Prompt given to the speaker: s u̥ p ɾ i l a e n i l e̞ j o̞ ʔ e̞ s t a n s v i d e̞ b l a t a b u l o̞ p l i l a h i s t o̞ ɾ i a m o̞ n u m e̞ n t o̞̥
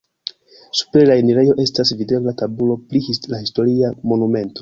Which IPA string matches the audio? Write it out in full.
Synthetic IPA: s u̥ p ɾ e l a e n i ɾ e̞ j o̞ ʔ e̞ s t a s v i d e̞ b l a t a b u l o̞ p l i l a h i s t o̞ ɾ i a m o̞ n u m e̞ n t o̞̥